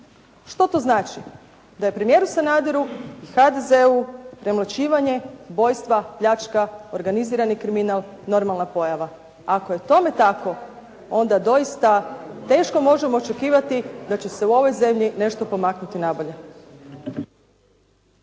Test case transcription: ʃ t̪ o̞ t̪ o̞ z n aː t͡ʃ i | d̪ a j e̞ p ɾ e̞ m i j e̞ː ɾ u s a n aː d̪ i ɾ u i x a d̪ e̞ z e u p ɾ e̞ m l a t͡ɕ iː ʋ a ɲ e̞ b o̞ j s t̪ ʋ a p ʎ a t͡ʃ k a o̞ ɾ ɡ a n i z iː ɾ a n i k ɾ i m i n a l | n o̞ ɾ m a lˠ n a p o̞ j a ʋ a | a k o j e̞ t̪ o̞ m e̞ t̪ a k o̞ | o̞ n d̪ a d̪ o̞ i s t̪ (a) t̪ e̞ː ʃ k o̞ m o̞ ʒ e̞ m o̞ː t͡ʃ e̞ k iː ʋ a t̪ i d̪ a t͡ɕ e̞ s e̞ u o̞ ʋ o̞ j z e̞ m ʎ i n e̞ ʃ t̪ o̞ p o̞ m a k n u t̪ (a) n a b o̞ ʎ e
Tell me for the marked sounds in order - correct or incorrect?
correct, incorrect

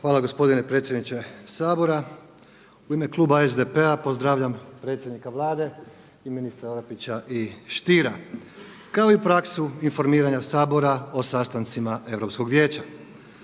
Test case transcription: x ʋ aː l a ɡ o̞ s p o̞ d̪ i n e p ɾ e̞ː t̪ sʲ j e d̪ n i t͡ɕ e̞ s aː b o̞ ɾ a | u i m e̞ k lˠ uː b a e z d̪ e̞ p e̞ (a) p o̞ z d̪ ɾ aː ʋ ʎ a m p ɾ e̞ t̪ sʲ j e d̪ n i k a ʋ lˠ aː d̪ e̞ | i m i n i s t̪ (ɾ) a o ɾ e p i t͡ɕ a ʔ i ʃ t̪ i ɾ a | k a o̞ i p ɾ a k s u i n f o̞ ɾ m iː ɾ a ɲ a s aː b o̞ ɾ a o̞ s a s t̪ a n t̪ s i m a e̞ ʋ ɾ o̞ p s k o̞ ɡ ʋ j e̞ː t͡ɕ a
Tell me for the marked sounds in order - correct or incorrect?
correct, correct

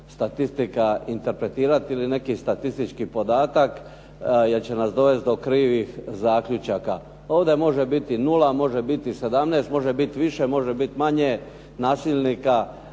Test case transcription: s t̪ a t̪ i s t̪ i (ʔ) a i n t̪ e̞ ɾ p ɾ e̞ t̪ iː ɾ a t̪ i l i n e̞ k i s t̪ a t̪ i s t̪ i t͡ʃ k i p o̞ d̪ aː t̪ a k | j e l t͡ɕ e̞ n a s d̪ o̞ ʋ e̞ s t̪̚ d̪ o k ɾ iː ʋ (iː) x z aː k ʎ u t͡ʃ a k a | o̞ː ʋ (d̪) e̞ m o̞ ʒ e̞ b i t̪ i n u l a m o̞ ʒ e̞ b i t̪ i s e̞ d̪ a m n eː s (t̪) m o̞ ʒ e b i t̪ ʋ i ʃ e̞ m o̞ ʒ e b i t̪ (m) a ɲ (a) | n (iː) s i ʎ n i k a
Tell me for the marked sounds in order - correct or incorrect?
incorrect, incorrect, correct, correct, correct, incorrect, incorrect

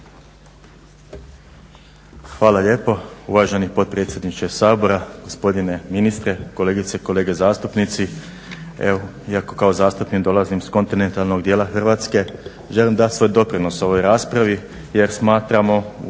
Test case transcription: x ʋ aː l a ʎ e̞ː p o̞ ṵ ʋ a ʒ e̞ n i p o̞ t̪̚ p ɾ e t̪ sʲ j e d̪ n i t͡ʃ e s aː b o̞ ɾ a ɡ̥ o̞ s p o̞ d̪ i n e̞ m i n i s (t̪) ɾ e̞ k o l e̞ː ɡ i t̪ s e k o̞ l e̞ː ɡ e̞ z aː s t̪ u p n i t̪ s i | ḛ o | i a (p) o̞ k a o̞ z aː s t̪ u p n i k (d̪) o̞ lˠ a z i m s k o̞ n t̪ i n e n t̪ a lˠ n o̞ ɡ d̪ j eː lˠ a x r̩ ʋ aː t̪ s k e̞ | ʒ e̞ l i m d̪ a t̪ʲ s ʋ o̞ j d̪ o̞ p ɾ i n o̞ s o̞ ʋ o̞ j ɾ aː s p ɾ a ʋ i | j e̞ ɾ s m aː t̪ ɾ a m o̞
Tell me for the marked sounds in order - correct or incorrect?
correct, incorrect, correct

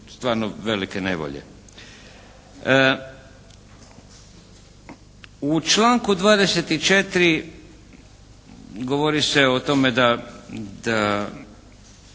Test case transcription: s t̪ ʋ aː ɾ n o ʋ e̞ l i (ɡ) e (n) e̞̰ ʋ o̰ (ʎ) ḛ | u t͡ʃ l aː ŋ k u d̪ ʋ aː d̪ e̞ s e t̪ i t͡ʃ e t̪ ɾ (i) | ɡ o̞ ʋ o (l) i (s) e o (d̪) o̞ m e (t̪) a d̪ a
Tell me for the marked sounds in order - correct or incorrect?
incorrect, correct, correct, correct, incorrect, correct, incorrect, incorrect

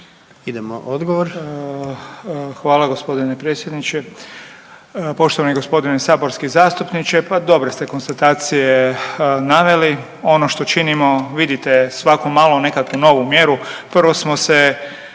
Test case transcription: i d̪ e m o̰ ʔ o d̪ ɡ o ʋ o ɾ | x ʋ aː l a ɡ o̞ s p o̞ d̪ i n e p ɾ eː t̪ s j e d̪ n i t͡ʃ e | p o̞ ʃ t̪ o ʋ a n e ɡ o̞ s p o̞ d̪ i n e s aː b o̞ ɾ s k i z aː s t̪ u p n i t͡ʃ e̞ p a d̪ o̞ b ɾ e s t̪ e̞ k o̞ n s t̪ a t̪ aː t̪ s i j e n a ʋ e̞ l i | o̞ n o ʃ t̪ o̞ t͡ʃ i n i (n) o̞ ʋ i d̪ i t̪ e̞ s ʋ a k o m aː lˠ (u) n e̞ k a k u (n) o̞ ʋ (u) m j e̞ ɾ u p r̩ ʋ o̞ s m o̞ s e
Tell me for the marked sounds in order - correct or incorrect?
incorrect, incorrect, correct, correct

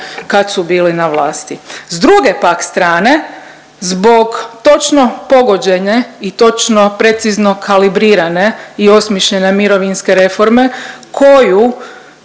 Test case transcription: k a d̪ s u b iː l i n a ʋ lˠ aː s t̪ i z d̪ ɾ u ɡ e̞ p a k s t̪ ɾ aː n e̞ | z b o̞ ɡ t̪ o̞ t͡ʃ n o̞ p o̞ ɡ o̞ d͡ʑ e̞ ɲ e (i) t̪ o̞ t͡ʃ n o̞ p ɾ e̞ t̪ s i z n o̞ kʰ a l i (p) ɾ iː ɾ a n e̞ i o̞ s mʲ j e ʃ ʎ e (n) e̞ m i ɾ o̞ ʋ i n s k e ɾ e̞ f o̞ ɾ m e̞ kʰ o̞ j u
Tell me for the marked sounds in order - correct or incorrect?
correct, incorrect, correct

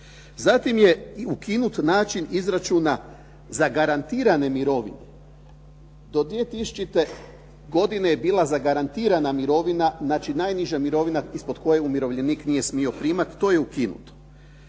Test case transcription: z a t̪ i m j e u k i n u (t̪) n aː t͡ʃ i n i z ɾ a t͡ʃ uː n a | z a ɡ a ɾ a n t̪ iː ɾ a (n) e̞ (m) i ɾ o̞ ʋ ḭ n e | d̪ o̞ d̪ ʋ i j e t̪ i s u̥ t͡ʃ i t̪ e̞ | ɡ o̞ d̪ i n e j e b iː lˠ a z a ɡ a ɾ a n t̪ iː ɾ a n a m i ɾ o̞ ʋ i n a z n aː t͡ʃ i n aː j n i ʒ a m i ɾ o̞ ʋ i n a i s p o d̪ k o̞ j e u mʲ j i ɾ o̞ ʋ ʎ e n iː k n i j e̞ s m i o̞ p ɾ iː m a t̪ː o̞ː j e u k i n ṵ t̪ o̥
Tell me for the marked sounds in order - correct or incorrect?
correct, correct, correct

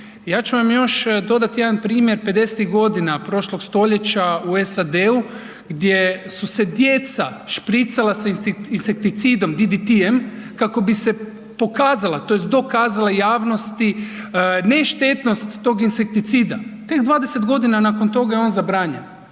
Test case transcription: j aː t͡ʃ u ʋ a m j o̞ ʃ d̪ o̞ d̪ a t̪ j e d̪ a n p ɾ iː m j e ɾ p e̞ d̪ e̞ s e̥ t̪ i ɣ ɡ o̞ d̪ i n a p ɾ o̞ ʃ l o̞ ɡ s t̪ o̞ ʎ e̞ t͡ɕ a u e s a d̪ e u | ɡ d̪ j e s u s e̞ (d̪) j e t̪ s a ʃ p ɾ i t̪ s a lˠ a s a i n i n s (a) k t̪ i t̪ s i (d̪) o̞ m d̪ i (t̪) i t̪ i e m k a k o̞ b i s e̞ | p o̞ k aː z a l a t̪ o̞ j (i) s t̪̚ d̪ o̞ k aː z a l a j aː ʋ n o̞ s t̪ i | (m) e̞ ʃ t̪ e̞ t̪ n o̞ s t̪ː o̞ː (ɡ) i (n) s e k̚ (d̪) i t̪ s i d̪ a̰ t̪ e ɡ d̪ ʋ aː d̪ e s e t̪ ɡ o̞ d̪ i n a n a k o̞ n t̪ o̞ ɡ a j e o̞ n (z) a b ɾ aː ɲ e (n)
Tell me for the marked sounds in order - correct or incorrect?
correct, incorrect, correct, incorrect, incorrect, incorrect, correct, correct, incorrect, correct, correct

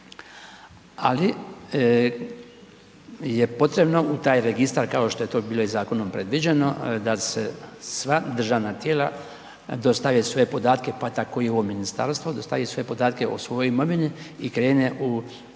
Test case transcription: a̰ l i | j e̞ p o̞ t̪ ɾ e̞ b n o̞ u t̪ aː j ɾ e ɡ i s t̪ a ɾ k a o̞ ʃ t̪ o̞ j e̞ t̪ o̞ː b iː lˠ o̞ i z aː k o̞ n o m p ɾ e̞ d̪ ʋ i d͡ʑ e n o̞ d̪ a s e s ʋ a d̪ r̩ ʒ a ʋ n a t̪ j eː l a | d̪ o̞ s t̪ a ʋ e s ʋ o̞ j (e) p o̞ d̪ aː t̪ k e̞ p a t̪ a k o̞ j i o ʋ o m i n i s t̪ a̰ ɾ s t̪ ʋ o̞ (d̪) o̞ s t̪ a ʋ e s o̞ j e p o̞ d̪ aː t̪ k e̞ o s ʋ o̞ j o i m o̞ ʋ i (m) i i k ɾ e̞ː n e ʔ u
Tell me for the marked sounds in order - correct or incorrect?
correct, correct, incorrect

